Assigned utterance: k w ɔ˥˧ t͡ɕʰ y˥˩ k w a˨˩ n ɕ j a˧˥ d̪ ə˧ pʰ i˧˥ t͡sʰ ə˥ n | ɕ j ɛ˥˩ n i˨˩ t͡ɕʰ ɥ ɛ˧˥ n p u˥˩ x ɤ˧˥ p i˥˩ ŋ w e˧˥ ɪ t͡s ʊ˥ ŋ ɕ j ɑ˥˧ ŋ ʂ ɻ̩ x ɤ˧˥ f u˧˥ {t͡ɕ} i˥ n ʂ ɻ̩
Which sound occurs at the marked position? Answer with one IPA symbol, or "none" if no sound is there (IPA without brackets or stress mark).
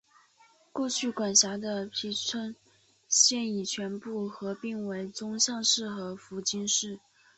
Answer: t͡ɕ